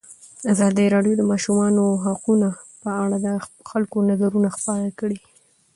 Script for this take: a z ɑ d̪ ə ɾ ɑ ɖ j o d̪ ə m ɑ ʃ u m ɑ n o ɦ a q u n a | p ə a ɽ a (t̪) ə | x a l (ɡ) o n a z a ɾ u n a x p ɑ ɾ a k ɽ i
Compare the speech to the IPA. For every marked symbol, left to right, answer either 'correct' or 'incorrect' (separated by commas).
incorrect, incorrect